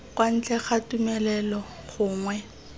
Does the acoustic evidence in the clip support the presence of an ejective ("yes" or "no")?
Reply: no